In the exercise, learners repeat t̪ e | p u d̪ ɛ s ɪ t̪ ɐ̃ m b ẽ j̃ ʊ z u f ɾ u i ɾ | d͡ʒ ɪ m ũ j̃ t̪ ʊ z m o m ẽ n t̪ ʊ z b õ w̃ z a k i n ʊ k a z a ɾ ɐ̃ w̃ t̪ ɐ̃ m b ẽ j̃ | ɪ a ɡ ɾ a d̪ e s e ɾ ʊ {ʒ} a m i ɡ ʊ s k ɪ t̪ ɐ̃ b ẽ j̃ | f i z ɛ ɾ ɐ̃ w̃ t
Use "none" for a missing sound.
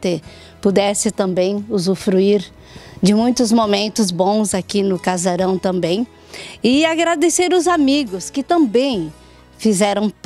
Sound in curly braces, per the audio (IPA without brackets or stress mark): z